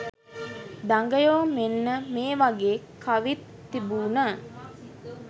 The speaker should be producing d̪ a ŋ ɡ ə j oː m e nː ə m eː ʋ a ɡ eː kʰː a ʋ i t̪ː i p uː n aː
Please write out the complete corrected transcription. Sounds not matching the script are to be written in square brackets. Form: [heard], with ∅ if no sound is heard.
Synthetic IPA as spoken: d̪ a ŋ ɡ ə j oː m e nː ə m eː ʋ a ɡ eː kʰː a ʋ i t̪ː i [b] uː n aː